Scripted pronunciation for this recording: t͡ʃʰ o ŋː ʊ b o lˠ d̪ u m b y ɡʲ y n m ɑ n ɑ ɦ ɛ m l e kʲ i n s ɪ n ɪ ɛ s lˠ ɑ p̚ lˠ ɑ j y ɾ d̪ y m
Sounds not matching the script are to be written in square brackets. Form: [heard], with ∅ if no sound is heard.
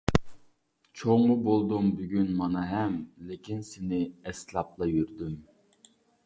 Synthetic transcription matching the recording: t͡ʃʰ o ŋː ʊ b o lˠ d̪ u m b y ɡʲ y n m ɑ n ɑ ɦ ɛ m l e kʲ i n s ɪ n ɪ ɛ s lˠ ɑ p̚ lˠ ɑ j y ɾ d̪ y m